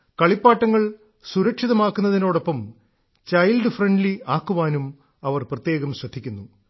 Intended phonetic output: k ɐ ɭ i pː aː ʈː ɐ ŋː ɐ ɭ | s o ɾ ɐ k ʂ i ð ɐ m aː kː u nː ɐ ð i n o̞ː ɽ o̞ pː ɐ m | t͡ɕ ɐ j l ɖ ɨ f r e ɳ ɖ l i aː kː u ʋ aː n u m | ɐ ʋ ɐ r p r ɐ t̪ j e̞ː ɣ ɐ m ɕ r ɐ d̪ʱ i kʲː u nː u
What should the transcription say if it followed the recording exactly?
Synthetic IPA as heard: k ɐ ɭ i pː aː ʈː ɐ ŋː ɐ ɭ | s u ɾ ɐ k ʂ i ð ɐ m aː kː u nː ɐ ð i n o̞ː ɽ o̞ pː ɐ m | t͡ɕ ɐ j l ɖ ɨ f r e ɳ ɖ l i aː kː u ʋ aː n u m | ɐ ʋ ɐ r p r ɐ t̪ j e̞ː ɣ ɐ m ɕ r ɐ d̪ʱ i kʲː u nː u